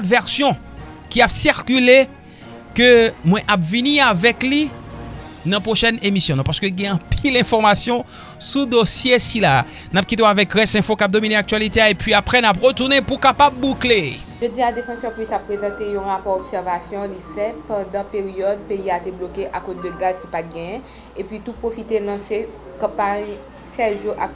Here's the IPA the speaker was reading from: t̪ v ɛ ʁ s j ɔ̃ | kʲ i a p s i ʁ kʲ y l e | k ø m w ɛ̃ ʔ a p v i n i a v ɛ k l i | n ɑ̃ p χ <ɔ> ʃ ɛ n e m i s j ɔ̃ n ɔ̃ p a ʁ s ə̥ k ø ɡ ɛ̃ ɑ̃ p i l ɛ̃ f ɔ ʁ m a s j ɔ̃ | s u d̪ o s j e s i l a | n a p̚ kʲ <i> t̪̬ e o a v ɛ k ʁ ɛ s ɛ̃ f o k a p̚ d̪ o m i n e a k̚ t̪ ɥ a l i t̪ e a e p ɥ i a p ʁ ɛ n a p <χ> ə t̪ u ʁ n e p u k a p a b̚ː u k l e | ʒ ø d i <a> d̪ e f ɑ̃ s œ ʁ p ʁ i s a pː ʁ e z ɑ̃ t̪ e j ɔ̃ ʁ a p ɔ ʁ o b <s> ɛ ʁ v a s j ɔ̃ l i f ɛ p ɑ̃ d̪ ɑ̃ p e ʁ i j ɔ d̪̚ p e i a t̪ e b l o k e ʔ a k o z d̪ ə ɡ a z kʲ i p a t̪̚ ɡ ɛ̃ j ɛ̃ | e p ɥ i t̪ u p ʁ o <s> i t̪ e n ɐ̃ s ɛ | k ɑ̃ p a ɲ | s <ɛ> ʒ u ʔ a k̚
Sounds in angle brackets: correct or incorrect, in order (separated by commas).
incorrect, correct, incorrect, correct, correct, incorrect, correct